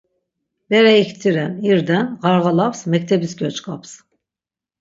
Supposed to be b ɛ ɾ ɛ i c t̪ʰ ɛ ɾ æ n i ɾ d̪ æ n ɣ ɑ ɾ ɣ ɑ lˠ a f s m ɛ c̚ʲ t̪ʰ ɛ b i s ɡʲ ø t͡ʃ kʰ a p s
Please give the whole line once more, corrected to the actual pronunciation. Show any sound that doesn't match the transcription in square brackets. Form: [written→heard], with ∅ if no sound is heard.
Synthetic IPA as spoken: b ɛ ɾ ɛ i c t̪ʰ [ɛ→i] ɾ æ n i ɾ d̪ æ n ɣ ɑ ɾ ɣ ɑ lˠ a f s m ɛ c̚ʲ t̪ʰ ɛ b i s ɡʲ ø t͡ʃ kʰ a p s